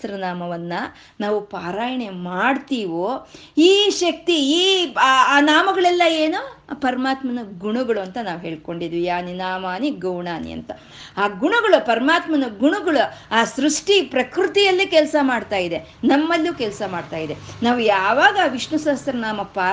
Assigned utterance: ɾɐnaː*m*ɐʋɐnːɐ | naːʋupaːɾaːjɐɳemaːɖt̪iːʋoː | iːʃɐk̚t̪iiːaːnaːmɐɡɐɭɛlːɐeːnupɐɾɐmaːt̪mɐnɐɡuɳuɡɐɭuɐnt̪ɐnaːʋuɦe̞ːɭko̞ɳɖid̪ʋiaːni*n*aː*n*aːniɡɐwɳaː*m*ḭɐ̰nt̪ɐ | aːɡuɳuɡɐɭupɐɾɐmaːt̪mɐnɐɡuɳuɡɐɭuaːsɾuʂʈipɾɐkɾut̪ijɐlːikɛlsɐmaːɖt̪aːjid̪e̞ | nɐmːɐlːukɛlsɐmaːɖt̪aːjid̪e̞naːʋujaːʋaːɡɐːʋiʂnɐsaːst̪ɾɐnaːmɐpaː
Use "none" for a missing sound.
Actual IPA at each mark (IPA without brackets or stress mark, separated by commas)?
m, n, m, n